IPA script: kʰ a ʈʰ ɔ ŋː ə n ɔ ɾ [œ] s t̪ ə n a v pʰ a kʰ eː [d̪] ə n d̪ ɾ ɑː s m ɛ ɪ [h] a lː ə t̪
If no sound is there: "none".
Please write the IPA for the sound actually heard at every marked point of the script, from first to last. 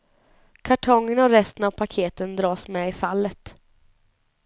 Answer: ɛ, t̪, f

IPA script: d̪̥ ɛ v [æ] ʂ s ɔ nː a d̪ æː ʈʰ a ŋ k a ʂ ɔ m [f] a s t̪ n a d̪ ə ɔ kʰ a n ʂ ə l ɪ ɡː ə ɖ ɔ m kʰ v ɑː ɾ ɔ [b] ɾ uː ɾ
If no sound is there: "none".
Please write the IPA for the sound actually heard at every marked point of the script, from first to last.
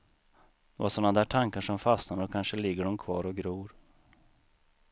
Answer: a, f, ɡ

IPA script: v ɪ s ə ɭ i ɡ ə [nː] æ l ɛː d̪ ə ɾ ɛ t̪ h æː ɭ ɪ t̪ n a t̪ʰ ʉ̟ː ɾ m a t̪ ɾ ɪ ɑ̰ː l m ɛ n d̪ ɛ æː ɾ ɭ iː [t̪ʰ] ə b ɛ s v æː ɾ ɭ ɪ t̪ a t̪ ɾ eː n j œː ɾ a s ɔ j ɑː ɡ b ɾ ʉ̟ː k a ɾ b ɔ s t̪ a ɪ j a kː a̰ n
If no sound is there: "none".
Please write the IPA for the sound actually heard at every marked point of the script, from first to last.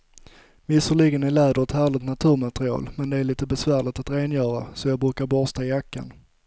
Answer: n, t̪

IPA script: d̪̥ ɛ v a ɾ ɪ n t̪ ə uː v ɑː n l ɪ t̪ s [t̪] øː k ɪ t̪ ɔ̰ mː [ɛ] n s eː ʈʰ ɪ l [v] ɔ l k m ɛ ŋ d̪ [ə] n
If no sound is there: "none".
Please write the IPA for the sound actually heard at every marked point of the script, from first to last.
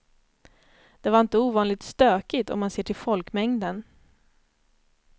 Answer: t̪, a, f, ə

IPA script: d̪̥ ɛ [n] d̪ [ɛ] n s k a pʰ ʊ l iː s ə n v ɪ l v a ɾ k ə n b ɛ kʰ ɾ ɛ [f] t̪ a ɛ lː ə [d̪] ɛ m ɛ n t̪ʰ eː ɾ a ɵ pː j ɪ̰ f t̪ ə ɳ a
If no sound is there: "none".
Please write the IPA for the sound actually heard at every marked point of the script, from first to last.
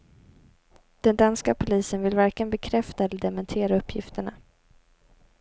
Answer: n, a, f, d̪

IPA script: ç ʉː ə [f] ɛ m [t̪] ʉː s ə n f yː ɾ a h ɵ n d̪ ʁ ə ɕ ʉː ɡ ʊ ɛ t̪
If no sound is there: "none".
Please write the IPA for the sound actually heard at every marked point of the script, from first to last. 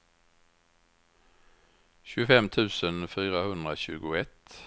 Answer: f, t̪ʰ

